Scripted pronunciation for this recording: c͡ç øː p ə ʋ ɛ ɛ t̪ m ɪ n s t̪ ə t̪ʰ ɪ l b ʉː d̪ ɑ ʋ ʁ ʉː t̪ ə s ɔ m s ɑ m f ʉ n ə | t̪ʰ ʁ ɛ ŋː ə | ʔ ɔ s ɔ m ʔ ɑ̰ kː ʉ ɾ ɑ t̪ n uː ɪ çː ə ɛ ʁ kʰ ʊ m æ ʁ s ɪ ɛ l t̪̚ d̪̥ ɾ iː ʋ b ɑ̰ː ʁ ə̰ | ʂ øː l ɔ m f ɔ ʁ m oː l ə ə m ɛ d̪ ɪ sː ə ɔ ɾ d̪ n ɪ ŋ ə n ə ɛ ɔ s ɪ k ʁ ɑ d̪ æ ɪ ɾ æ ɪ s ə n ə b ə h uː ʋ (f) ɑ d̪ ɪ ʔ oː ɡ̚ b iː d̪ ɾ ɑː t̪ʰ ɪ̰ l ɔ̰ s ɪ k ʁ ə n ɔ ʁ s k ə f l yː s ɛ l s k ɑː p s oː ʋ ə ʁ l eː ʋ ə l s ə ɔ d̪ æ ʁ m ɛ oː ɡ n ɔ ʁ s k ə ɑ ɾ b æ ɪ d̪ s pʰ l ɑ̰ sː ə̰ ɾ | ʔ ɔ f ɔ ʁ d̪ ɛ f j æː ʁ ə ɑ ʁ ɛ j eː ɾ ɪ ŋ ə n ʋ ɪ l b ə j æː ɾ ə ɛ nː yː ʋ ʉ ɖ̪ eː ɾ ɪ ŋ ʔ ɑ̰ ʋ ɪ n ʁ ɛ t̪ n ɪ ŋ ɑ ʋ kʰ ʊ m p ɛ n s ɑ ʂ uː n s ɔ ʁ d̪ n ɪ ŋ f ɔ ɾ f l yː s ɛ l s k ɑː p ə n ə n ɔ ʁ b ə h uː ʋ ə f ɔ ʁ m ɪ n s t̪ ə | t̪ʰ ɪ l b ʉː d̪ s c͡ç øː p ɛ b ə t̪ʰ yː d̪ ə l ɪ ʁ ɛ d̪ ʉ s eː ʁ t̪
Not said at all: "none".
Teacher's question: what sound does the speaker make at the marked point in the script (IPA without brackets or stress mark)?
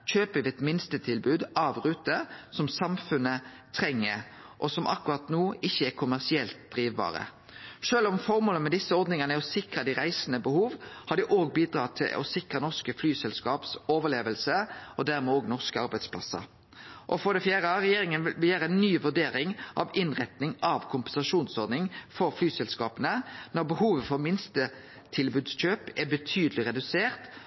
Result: h